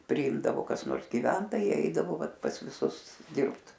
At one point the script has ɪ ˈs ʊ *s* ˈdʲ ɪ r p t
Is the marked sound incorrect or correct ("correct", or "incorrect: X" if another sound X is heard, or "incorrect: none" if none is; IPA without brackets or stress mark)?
correct